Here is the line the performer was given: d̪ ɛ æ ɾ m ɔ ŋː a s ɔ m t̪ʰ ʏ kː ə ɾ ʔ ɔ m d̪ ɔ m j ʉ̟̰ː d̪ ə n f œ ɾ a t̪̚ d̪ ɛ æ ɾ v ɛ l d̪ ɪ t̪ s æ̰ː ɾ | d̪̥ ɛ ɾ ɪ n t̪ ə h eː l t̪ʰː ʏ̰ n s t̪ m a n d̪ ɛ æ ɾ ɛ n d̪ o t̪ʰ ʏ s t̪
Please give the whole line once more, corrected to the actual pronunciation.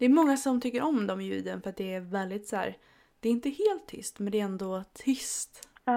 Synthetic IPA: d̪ ɛ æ ɾ m ɔ ŋː a s ɔ m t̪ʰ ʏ kː ə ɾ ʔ ɔ m d̪ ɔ m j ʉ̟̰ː d̪ ə n f œ ɾ a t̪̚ d̪ ɛ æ ɾ v ɛ l d̪ ɪ t̪ s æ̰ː ɾ | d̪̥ ɛ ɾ ɪ n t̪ ə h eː l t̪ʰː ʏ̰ s t̪ m ɛ n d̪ ɛ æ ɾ ɛ n d̪ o t̪ʰ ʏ s t̪